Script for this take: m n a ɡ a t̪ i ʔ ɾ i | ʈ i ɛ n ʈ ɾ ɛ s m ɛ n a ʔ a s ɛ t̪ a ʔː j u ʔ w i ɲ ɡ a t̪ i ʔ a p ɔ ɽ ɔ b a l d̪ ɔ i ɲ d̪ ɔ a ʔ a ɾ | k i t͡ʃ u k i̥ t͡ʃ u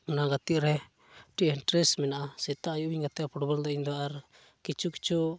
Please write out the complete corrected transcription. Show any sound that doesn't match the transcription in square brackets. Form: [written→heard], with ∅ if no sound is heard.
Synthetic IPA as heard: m n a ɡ a t̪ i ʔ ɾ [i→ɛ] | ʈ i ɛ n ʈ ɾ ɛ s m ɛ n a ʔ a s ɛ t̪ a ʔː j u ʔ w i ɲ ɡ a t̪ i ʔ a p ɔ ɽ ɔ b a l d̪ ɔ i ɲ d̪ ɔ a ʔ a ɾ | k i t͡ʃ u k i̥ t͡ʃ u